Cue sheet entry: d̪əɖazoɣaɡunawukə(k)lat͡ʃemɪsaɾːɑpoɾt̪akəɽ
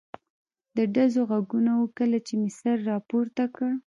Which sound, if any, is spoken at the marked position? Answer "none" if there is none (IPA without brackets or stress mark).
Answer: none